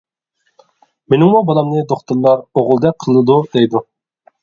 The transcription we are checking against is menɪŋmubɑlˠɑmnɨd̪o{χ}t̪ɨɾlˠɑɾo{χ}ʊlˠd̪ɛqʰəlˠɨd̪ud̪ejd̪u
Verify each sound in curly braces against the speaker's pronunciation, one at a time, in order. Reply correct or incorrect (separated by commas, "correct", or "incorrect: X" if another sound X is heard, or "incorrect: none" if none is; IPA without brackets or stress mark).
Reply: correct, incorrect: ʁ